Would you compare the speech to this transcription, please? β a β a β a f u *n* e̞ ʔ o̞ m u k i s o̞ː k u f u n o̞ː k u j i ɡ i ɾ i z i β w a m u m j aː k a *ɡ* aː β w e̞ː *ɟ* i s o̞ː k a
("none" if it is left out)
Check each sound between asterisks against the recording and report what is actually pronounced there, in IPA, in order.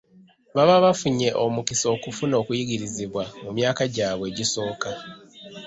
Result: ɲ, ɟ, ɟ

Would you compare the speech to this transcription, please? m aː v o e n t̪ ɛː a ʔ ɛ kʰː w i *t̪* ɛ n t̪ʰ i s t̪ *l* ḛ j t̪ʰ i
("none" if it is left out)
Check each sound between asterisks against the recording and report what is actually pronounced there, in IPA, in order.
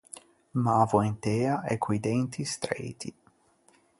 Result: d̪, ɾ

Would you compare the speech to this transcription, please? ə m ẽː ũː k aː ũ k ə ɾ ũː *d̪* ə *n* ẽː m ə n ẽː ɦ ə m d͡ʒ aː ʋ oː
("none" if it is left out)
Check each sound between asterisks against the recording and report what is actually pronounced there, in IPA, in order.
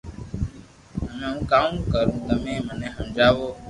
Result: t̪, m

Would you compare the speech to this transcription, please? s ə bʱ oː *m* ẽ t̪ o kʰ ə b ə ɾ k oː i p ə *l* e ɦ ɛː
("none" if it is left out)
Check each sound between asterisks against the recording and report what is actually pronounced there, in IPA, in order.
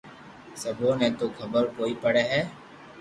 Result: n, ɽ

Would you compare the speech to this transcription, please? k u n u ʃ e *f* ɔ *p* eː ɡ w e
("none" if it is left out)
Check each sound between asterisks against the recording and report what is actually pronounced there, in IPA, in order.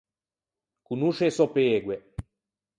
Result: s, p

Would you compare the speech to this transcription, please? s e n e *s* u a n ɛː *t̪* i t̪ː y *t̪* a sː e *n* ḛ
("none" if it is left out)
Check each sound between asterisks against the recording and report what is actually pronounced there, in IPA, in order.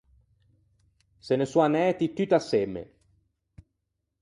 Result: s, t̪, t̪, m

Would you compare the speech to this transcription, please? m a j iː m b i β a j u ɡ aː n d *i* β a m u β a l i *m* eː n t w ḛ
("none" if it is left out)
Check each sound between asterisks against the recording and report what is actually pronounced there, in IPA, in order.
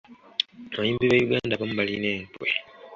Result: a, n

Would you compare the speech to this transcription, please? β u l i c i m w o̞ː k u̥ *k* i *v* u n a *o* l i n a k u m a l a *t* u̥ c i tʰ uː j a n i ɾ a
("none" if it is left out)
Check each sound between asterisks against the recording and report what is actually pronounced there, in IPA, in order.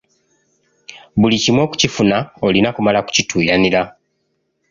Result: c, f, o, k

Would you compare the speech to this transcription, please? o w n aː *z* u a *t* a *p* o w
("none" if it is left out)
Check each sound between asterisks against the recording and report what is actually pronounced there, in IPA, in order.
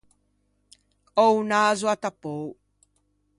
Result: z, t, p

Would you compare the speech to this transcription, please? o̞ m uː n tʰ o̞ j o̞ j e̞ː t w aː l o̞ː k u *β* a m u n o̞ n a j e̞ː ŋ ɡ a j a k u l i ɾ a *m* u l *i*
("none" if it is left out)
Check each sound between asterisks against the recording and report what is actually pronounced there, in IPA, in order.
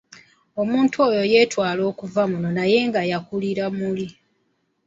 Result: v, m, i

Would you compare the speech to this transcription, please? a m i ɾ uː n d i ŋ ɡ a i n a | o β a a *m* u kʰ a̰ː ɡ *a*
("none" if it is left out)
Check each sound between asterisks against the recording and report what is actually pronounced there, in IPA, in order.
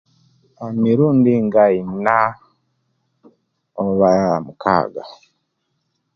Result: m, a

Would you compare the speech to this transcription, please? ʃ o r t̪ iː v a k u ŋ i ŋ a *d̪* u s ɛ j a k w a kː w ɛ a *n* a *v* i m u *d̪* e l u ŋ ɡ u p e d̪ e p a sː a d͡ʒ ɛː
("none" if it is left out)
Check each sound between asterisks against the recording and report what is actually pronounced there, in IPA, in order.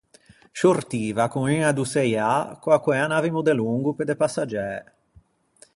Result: d̪, n, v, d̪

